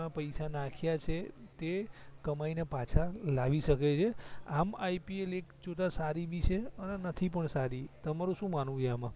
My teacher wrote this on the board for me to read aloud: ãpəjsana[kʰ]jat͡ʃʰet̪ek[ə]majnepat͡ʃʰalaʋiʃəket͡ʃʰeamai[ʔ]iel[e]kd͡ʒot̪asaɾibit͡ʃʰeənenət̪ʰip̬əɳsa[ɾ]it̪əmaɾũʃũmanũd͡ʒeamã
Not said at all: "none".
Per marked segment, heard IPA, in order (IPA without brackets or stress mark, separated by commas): kʰ, ə, p, e, ɾ